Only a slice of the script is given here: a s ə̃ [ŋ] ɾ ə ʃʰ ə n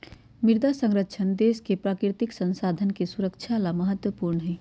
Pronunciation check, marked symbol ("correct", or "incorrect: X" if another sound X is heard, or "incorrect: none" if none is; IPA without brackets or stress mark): correct